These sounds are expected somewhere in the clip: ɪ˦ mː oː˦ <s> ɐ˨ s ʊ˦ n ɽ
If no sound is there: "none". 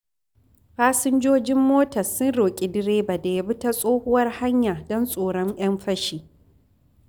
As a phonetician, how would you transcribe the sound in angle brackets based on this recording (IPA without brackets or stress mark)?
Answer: t